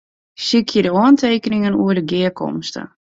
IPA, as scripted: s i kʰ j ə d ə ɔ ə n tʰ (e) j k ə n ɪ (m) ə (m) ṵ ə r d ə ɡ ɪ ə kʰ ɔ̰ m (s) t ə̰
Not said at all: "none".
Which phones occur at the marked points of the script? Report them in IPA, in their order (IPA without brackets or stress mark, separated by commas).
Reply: e, ŋ, n, s